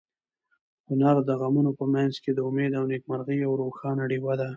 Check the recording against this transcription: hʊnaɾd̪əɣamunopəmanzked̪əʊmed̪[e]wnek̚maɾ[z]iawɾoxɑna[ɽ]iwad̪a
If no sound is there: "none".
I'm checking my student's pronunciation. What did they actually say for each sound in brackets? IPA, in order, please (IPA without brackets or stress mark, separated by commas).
a, ɣ, ɽ